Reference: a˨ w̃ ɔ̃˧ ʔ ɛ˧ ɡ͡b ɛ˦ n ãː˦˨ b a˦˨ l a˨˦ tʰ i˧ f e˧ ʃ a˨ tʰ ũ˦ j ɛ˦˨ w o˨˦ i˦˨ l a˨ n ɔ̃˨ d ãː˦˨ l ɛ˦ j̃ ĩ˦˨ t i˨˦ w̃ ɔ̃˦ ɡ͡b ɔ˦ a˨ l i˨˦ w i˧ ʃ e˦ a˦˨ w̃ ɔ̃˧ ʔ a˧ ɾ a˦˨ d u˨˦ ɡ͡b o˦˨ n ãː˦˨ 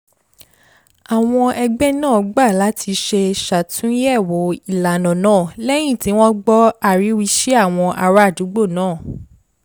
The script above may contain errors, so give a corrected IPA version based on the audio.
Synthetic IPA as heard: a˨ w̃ ɔ̃˧ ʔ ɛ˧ ɡ͡b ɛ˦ n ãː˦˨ ɡ͡b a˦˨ l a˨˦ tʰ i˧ ʃ e˧ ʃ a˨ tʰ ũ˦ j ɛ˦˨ w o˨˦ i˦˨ l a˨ n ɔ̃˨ n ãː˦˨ l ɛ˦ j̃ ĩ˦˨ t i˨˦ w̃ ɔ̃˦ ɡ͡b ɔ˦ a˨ ɾ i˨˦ w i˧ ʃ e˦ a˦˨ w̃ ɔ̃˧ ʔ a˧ ɾ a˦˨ d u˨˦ ɡ͡b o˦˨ n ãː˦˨

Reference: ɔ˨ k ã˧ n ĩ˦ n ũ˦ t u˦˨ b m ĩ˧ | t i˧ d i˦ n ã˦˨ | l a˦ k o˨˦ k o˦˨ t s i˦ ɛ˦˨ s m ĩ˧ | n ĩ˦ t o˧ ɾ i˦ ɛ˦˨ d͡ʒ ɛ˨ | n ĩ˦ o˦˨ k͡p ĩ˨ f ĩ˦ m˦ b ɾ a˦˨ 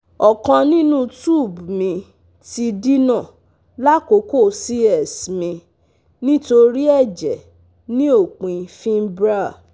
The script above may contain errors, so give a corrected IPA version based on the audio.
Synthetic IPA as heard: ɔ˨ k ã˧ n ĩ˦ n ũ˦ t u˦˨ b m ĩ˧ | t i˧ d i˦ n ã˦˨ | l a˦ k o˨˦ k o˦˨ s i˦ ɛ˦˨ s m ĩ˧ | n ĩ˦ t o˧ ɾ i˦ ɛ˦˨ d͡ʒ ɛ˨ | n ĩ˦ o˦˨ k͡p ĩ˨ f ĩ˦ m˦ b ɾ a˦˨

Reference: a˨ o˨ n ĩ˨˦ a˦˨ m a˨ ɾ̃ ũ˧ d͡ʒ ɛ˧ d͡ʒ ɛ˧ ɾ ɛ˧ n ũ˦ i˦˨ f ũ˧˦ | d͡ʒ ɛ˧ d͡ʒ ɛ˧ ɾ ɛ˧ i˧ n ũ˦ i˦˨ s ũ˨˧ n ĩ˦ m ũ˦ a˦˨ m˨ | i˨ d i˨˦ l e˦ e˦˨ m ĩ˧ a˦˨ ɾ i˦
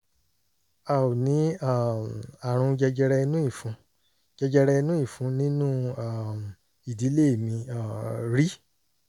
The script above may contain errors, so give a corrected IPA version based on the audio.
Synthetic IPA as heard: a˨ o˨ n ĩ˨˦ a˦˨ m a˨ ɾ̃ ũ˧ d͡ʒ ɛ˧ d͡ʒ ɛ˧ ɾ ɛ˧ n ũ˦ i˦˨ f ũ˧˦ | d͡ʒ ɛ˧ d͡ʒ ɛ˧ ɾ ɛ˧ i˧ n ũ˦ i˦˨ f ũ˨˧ n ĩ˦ n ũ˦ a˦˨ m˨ | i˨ d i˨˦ l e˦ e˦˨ m ĩ˧ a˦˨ ɾ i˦

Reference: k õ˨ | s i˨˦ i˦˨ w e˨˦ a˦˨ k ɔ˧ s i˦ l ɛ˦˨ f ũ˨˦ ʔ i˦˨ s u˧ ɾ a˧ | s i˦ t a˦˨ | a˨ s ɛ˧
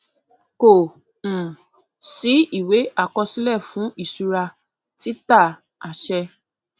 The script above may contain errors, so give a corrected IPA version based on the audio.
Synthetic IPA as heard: k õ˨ | s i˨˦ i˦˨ w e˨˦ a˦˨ k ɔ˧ s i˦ l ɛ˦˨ f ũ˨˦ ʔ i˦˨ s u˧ ɾ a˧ | t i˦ t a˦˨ | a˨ ʃ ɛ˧

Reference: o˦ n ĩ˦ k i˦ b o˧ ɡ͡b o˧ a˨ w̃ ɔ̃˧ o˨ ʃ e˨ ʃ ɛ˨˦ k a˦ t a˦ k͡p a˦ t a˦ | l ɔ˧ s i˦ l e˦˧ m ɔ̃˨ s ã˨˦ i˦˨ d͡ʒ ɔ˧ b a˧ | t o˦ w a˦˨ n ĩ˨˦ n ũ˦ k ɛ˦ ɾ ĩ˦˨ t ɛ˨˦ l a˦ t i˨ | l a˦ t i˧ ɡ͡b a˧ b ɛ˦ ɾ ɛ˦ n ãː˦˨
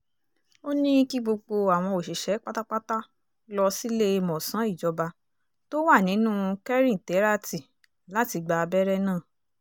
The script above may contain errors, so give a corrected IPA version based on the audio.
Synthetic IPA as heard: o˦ n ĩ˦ k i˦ ɡ͡b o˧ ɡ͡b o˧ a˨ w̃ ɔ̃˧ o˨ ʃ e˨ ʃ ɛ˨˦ k͡p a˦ t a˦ k͡p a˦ t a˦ | l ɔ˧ s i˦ l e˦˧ m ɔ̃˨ s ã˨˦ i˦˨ d͡ʒ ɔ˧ b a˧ | t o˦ w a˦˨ n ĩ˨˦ n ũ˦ k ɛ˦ ɾ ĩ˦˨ t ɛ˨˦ ɾ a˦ t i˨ | l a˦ t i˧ ɡ͡b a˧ b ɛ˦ ɾ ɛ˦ n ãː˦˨

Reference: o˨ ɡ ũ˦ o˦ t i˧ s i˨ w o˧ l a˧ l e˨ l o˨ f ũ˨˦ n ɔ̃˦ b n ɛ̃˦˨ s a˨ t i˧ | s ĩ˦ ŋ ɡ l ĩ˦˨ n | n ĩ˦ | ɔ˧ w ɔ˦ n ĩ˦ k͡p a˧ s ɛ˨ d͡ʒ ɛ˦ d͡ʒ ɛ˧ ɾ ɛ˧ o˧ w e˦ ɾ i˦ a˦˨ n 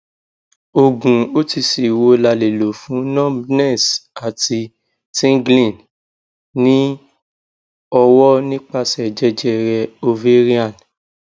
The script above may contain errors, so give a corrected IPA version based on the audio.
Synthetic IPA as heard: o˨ ɡ ũ˨ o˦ t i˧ s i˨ w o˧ l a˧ l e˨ l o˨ f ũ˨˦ n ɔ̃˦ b n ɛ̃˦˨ s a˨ t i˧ | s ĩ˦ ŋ ɡ l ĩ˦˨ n | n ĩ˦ | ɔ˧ w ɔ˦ n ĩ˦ k͡p a˧ s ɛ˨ d͡ʒ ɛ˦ d͡ʒ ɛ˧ ɾ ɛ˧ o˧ v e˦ ɾ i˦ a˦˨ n

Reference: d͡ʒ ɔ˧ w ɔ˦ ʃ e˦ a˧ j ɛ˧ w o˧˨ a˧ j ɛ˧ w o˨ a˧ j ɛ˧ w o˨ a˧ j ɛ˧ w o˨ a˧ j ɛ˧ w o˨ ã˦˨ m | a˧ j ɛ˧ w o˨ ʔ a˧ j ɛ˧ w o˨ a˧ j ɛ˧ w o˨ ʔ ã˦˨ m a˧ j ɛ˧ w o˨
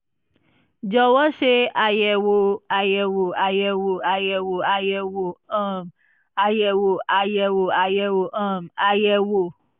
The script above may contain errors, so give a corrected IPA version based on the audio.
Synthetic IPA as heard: d͡ʒ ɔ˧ w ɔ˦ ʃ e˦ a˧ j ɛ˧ w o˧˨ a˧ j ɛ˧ w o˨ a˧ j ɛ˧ w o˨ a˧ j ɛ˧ w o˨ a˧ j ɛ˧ w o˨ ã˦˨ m | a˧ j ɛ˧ w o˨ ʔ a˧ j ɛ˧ w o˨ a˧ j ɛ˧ w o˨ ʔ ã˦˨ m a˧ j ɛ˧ w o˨

